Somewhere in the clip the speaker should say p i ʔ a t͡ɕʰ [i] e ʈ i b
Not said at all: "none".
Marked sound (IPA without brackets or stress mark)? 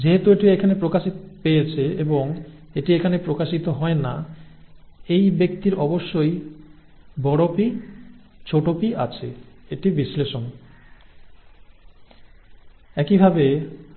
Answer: e